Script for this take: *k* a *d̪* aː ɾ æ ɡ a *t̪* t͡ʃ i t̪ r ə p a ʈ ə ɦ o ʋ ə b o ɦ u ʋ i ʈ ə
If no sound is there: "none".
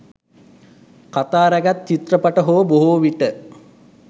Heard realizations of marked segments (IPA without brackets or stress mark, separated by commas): k, t̪, t̪